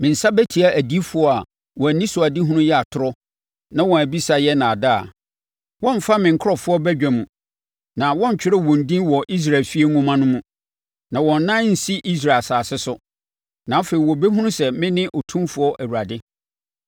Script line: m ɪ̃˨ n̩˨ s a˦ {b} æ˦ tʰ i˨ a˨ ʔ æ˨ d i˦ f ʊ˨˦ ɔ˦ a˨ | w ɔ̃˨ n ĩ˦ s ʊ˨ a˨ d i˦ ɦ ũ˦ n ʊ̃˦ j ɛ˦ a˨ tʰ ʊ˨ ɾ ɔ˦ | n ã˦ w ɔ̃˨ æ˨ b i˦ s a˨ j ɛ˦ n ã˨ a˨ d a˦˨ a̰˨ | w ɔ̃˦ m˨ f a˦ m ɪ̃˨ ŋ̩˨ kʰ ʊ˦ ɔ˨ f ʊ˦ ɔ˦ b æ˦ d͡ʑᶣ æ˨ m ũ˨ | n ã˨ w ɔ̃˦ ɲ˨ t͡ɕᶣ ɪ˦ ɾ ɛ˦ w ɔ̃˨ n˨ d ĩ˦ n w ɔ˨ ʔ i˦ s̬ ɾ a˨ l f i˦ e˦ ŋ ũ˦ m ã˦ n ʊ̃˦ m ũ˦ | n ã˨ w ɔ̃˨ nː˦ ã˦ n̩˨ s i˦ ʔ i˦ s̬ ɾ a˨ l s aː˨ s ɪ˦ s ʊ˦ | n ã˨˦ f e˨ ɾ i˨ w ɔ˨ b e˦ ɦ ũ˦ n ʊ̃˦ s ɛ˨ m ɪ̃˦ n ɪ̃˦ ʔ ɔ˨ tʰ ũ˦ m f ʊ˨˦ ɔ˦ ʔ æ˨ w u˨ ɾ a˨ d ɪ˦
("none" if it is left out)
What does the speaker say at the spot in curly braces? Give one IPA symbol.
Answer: b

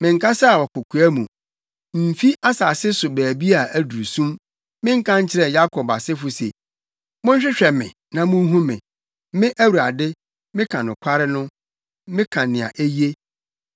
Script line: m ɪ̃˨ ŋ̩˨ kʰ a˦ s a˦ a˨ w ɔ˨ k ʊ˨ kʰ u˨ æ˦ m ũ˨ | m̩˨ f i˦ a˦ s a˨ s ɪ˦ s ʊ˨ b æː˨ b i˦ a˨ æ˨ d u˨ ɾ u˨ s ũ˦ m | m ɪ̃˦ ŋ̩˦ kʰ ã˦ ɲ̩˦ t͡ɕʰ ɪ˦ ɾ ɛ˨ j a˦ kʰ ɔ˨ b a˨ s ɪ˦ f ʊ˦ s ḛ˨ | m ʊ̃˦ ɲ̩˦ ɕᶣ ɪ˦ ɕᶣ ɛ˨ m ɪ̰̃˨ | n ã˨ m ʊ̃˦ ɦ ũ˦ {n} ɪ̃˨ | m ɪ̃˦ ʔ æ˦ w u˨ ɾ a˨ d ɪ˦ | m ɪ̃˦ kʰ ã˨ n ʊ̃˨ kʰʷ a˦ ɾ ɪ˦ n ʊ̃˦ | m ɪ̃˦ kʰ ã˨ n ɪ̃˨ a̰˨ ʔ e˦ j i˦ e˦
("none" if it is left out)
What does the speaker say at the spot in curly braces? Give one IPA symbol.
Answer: m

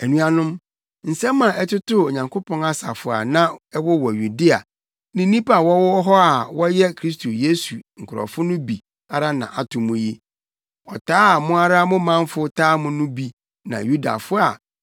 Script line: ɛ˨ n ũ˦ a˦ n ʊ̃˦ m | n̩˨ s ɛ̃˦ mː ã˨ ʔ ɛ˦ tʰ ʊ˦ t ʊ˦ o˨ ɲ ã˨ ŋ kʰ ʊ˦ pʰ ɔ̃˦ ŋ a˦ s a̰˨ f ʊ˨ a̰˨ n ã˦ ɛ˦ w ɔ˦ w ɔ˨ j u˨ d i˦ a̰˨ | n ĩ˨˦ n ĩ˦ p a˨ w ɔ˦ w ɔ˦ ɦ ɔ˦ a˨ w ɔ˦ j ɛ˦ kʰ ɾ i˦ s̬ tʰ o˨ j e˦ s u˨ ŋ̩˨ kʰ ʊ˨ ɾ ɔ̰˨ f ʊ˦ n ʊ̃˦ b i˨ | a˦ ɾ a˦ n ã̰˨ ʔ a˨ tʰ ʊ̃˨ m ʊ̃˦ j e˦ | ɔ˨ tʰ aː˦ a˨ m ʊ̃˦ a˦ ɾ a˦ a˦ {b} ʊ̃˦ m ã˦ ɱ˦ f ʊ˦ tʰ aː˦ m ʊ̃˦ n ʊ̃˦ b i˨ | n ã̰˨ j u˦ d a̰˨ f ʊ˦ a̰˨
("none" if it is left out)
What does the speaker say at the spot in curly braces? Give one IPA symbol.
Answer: m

